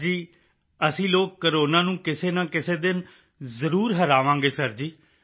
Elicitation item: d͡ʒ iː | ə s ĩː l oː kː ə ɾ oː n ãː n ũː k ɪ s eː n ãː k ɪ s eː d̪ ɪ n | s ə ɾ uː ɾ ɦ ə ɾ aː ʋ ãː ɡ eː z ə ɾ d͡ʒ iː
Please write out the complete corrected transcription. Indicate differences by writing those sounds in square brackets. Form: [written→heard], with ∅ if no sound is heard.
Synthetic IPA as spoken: d͡ʒ iː | ə s ĩː l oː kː ə ɾ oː n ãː n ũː k ɪ s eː n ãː k ɪ s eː d̪ ɪ n | [s→z] ə ɾ uː ɾ ɦ ə ɾ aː ʋ ãː ɡ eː [z→s] ə ɾ d͡ʒ iː

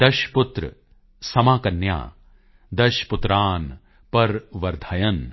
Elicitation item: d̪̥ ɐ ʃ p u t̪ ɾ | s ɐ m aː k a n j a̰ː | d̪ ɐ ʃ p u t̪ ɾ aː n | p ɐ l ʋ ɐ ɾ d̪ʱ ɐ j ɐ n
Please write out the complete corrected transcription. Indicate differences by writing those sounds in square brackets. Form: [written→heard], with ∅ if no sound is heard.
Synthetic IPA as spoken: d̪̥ ɐ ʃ p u t̪ ɾ | s ɐ m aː k [a→ɐ] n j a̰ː | d̪ ɐ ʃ p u t̪ ɾ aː n | p ɐ [l→ɾ] ʋ ɐ ɾ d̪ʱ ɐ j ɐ n

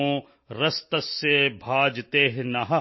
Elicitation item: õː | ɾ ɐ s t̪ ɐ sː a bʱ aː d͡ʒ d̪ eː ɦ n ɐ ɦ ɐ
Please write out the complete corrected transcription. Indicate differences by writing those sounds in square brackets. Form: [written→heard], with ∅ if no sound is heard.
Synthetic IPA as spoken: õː | ɾ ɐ s t̪ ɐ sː [a→e] bʱ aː d͡ʒ [d̪→t̪] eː ɦ n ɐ ɦ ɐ

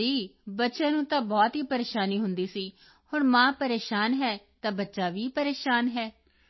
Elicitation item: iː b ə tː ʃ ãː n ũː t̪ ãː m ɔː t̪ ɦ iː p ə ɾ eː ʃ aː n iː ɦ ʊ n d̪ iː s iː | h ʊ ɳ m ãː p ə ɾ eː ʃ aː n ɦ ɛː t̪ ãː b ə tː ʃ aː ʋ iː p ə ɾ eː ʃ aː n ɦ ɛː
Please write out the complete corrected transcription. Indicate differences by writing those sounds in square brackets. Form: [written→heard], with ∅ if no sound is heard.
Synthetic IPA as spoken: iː b ə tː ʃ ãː n ũː t̪ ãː [m→b] ɔː t̪ ɦ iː p ə ɾ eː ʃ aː n iː ɦ ʊ n d̪ iː s iː | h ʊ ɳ m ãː p ə ɾ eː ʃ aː n ɦ ɛː t̪ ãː b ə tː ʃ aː ʋ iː p ə ɾ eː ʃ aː n ɦ ɛː

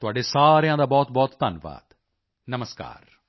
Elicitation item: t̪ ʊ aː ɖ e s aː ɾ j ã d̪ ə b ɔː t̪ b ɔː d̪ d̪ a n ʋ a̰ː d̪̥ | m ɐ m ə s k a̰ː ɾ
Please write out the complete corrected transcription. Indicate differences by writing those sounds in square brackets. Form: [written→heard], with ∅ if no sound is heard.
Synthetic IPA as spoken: t̪ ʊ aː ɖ e s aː ɾ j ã d̪ [ə→a] b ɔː t̪ b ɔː [d̪→t̪] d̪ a n ʋ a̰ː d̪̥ | [m→n] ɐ m ə s k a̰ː ɾ

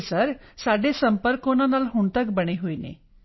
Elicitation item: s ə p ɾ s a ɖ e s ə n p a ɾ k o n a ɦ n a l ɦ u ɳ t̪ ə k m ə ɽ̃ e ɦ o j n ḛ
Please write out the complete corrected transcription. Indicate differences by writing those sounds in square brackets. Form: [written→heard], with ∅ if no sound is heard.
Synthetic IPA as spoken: s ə [p→∅] ɾ s a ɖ e s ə [n→m] p [a→ə] ɾ k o n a [ɦ→∅] n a l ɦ u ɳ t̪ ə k [m→b] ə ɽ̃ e ɦ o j n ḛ

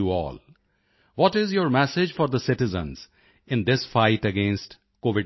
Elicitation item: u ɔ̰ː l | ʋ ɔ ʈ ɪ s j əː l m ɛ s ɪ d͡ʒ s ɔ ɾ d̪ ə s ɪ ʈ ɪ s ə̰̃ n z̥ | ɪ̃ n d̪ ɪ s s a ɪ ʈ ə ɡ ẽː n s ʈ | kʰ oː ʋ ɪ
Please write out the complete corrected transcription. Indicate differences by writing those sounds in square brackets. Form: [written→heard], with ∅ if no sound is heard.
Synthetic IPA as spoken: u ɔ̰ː l | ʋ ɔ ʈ ɪ [s→z] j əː [l→ɾ] m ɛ s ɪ d͡ʒ [s→f] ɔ ɾ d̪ ə s ɪ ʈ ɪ [s→z] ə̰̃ n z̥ | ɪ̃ n d̪ ɪ s [s→f] a ɪ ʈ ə ɡ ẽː n s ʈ | [kʰ→k] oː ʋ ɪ

